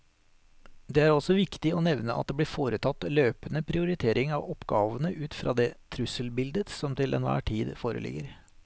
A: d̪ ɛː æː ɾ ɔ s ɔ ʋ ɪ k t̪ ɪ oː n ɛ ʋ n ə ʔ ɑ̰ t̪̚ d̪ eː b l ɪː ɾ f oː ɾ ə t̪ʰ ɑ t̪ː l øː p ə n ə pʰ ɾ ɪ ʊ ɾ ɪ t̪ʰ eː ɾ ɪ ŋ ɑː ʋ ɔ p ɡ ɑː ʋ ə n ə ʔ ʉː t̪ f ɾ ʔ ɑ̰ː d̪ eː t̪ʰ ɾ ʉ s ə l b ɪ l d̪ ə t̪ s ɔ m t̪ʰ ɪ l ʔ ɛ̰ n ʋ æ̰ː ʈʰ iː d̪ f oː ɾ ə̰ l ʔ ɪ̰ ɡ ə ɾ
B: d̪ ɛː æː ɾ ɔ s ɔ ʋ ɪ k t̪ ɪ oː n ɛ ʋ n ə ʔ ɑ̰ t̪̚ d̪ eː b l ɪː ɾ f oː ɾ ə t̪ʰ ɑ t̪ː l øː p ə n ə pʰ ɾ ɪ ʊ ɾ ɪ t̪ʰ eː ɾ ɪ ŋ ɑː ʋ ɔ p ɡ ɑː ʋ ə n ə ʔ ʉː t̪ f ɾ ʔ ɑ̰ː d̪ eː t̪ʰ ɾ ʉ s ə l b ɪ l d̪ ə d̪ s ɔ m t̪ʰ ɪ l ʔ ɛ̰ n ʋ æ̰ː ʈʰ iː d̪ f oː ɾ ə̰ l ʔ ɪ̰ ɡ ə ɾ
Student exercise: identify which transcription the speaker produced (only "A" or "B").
A